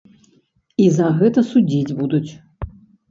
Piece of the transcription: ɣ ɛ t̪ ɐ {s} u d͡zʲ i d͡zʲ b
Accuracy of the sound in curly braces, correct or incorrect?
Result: correct